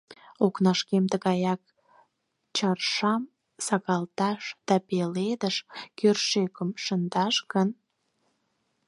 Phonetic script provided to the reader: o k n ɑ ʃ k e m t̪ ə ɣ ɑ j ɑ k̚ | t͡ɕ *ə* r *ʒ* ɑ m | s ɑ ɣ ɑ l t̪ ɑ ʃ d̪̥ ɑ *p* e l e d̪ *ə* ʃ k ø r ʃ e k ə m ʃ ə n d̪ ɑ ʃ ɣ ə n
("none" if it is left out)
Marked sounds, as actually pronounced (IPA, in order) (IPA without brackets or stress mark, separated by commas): ɑ, ʃ, p, ə